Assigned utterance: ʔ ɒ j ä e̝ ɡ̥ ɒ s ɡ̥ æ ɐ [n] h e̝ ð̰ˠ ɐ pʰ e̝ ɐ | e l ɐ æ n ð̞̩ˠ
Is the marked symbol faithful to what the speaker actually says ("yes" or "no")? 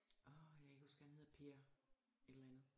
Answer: yes